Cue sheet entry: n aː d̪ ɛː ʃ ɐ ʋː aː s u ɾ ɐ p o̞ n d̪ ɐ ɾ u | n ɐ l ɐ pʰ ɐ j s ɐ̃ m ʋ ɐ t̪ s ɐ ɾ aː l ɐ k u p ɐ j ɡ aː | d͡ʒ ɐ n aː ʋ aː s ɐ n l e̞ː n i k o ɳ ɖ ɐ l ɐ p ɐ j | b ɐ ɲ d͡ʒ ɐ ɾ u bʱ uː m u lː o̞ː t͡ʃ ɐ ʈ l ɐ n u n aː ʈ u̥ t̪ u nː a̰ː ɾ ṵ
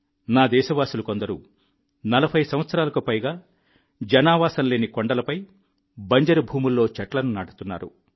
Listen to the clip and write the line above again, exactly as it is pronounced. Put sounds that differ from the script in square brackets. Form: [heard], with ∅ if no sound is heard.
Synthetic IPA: n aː d̪ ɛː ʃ ɐ [ʋ] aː s u [l] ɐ [k] o̞ n d̪ ɐ ɾ u | n ɐ l ɐ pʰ ɐ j s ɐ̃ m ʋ ɐ t̪ s ɐ ɾ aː l ɐ k u p ɐ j ɡ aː | d͡ʒ ɐ n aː ʋ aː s ɐ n l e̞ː n i k o ɳ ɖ ɐ l ɐ p ɐ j | b ɐ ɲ d͡ʒ ɐ ɾ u bʱ uː m u lː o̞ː t͡ʃ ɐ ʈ l ɐ n u n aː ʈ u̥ t̪ u nː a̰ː ɾ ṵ

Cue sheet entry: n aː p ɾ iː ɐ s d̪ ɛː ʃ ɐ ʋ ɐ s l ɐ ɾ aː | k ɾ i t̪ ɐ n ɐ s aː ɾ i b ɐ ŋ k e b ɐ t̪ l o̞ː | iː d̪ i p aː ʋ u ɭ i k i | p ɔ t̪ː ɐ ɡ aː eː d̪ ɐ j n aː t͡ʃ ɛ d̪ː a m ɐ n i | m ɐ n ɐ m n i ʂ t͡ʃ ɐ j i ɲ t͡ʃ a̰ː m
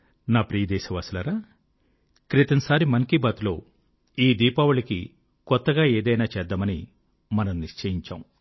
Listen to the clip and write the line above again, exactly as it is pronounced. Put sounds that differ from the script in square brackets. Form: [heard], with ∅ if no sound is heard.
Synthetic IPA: n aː p ɾ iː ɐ [∅] d̪ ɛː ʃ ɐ ʋ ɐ s l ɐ ɾ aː | k ɾ i t̪ ɐ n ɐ s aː ɾ i [m] ɐ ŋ k [i] b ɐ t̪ l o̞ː | iː d̪ [iː] p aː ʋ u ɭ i k i | [k] ɔ t̪ː ɐ ɡ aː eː d̪ ɐ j n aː t͡ʃ ɛ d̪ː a m ɐ n i | m ɐ n ɐ m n i ʂ t͡ʃ ɐ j i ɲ t͡ʃ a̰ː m

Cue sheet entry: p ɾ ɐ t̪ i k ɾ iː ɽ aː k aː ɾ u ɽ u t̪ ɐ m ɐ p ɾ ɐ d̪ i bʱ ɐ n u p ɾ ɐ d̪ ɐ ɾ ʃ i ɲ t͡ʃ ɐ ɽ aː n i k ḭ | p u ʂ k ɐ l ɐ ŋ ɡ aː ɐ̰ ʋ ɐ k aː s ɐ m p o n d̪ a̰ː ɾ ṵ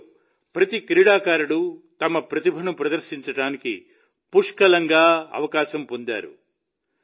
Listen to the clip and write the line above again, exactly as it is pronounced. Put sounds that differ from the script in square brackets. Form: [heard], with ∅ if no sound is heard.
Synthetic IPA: p ɾ ɐ t̪ i k ɾ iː ɽ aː k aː ɾ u ɽ u t̪ ɐ m ɐ p ɾ ɐ [t̪] i bʱ ɐ n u p ɾ ɐ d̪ ɐ ɾ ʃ i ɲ t͡ʃ ɐ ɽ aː n i k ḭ | p u ʂ k ɐ l ɐ ŋ ɡ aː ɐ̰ ʋ ɐ k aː [ʃ] ɐ m p o n d̪ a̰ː ɾ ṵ

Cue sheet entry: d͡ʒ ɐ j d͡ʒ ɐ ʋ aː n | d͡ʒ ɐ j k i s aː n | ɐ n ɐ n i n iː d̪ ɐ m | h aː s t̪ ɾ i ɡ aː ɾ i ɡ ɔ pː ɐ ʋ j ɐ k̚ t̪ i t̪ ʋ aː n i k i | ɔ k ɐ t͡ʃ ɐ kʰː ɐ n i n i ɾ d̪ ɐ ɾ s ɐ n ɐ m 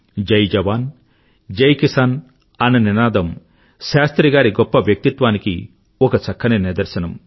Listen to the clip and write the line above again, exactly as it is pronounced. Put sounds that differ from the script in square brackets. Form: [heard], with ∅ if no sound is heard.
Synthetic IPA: d͡ʒ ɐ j d͡ʒ ɐ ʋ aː n | d͡ʒ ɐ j k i s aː n | ɐ n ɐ n i n [aː] d̪ ɐ m | [ʃ] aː s t̪ ɾ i ɡ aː ɾ i ɡ ɔ pː ɐ ʋ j ɐ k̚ t̪ i t̪ ʋ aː n i k i | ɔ k ɐ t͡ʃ ɐ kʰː ɐ n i n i ɾ d̪ ɐ ɾ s ɐ n ɐ m

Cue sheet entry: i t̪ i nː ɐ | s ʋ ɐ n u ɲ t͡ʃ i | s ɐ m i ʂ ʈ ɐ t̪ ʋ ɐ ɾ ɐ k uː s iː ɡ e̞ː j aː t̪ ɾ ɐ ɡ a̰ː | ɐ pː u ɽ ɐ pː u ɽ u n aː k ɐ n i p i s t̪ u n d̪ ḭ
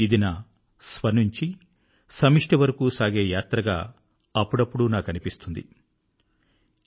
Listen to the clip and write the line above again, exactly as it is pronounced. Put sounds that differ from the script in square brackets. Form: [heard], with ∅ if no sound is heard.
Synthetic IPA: i [d̪] i [n] ɐ | s ʋ ɐ n u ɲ t͡ʃ i | s ɐ m i ʂ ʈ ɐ [∅] ʋ ɐ ɾ ɐ k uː s [aː] ɡ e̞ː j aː t̪ ɾ ɐ ɡ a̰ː | ɐ pː u ɽ ɐ pː u ɽ u n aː k ɐ n i p i s t̪ u n d̪ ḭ

